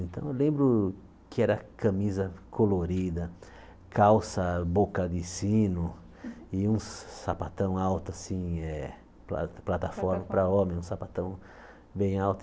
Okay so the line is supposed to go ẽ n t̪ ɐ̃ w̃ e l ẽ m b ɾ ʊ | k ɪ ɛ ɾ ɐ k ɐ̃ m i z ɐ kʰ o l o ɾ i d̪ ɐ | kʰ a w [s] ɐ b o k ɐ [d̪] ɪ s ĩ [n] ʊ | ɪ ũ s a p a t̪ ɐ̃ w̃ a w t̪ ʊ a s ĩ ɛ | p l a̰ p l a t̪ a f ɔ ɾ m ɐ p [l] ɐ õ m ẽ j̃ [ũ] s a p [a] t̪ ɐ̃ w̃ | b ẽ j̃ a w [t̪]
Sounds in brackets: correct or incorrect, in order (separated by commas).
correct, correct, correct, incorrect, correct, correct, correct